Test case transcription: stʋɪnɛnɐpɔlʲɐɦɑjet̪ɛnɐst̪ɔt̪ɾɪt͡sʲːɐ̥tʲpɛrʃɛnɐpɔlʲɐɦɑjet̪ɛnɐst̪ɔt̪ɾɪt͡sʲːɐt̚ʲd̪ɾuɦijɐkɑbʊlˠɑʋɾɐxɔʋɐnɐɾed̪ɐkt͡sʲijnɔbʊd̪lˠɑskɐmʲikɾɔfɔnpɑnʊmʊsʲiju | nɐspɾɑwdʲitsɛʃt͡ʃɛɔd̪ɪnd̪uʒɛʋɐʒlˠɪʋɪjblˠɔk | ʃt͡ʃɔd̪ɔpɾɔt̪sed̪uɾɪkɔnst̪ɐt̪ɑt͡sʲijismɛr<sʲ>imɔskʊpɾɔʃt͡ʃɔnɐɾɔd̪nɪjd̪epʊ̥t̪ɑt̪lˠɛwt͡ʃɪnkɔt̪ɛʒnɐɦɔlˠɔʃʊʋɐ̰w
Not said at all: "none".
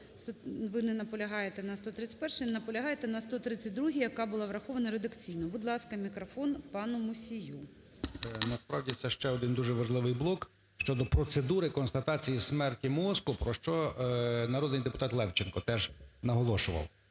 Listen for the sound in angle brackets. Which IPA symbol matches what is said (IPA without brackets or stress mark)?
tʲ